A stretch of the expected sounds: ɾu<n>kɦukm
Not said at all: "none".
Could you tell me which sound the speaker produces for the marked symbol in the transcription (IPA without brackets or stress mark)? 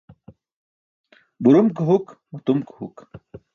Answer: m